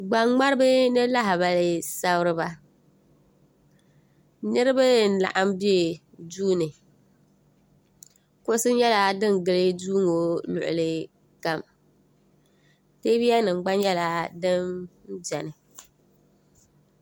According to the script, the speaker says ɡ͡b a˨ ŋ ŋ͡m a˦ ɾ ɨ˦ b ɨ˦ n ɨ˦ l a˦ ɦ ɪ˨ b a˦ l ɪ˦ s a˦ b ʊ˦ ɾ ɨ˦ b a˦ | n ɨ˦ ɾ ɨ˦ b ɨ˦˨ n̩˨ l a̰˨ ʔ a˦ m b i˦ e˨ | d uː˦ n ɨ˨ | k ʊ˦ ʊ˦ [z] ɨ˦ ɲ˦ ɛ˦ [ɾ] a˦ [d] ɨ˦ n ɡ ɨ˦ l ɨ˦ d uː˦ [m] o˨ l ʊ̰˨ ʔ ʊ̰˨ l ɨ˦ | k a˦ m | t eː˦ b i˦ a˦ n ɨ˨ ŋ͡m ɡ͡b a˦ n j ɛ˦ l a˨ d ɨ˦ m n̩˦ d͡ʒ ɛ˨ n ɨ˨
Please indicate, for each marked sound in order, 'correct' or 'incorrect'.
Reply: incorrect, incorrect, correct, incorrect

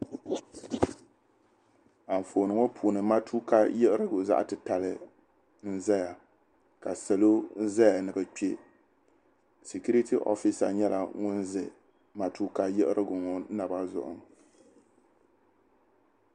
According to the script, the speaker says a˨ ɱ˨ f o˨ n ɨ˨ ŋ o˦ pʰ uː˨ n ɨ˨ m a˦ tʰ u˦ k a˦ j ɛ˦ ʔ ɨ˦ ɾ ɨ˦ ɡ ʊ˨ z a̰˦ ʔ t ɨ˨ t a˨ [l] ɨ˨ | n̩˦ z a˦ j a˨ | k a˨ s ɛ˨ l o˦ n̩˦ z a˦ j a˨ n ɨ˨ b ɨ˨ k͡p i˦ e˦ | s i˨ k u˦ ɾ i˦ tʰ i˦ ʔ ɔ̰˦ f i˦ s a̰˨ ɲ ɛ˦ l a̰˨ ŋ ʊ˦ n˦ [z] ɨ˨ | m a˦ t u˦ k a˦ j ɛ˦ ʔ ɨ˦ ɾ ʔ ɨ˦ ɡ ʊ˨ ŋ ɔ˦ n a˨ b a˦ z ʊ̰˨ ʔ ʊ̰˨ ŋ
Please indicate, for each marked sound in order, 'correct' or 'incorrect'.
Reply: correct, correct

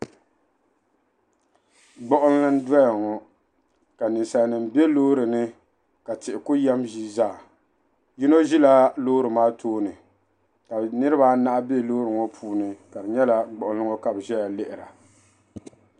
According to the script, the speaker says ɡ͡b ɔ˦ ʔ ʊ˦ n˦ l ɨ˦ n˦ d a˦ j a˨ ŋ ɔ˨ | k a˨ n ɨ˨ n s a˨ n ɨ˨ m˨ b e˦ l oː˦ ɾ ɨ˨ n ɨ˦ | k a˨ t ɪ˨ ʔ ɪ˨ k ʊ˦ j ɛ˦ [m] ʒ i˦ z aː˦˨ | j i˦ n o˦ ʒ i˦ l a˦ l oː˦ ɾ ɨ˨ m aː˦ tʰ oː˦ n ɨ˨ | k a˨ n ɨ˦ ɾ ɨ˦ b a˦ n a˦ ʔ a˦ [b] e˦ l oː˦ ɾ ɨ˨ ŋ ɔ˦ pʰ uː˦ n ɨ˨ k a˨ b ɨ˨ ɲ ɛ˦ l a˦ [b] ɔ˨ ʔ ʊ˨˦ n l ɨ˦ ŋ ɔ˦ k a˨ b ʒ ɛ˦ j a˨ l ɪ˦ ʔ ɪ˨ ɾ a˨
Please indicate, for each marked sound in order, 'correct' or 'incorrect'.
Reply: correct, correct, incorrect

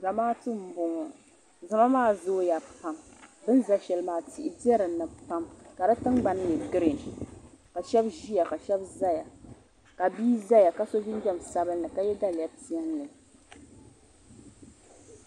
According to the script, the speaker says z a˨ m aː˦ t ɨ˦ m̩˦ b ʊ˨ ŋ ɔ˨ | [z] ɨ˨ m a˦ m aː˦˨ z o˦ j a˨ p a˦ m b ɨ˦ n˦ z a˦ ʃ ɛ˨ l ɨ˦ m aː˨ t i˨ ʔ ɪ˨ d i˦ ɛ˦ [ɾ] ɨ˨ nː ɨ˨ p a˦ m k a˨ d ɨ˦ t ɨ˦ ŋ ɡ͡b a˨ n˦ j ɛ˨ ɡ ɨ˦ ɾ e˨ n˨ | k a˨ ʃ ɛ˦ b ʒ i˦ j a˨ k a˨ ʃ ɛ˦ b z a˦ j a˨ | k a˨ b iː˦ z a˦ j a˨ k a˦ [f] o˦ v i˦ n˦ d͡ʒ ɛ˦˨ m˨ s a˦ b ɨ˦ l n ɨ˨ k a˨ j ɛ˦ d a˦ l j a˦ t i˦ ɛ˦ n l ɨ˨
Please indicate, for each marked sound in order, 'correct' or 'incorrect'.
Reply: correct, correct, incorrect

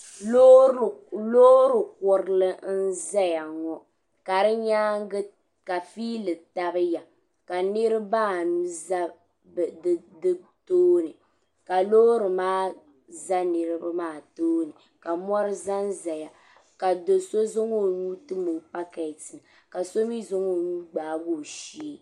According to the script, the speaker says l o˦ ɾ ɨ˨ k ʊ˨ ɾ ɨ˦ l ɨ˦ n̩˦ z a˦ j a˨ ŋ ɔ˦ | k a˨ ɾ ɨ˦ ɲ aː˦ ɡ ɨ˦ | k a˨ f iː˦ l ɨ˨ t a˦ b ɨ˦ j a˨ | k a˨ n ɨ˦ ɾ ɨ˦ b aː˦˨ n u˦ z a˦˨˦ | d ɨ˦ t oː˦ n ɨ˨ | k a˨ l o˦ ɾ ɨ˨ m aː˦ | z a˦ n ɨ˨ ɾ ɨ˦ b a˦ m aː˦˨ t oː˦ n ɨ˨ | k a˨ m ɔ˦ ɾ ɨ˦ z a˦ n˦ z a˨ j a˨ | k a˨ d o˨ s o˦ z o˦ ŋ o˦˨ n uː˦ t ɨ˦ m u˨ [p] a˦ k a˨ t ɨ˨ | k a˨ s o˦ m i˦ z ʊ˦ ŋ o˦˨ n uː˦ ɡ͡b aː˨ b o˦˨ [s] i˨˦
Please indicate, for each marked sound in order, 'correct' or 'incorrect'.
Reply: correct, incorrect

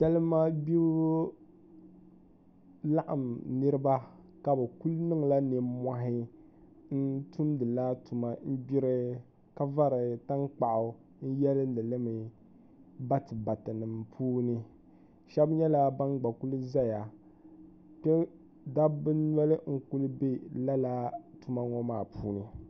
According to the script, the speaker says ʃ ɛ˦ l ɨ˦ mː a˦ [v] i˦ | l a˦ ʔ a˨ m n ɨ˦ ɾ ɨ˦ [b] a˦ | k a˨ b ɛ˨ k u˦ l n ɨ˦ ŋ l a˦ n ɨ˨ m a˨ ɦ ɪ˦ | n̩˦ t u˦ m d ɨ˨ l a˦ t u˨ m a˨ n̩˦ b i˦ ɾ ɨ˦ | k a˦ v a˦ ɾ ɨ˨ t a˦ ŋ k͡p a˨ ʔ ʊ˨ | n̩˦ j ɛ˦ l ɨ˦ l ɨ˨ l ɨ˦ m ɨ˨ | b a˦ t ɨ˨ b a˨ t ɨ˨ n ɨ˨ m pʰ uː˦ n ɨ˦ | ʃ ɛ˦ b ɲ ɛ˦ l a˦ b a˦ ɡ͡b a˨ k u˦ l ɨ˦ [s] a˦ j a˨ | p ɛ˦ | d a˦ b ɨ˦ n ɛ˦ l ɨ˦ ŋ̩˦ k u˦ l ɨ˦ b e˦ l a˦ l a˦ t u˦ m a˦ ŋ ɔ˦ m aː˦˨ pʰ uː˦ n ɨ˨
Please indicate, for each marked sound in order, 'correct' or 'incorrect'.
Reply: incorrect, correct, incorrect

